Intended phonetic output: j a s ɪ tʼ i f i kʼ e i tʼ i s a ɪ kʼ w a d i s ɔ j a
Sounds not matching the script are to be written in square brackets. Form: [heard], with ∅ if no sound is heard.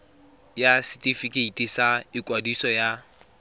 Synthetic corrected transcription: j a s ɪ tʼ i f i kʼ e i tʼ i s a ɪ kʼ w a d i s ɔ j a